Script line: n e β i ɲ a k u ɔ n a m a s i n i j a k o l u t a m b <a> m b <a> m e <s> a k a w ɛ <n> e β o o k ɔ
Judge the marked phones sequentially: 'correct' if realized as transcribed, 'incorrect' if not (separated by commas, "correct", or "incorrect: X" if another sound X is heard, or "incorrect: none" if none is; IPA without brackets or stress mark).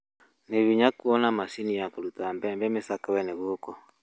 incorrect: ɛ, incorrect: ɛ, correct, correct